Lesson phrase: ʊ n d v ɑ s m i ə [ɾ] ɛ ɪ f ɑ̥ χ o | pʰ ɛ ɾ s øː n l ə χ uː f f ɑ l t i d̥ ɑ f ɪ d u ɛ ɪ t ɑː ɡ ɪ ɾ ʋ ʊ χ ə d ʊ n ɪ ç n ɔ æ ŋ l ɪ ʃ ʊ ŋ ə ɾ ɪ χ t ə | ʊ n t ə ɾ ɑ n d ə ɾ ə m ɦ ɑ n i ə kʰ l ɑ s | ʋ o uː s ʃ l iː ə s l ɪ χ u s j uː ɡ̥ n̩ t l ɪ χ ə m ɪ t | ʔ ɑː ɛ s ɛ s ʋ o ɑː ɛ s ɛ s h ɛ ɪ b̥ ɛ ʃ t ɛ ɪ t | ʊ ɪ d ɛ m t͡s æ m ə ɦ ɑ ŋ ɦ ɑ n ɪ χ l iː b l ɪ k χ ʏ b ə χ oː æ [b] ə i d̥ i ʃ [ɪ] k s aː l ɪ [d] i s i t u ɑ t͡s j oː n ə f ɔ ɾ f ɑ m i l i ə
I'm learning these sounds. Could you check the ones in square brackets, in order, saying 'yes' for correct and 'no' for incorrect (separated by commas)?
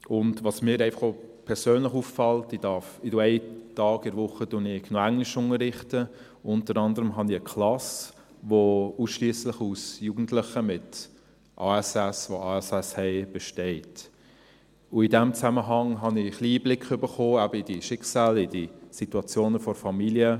yes, yes, yes, yes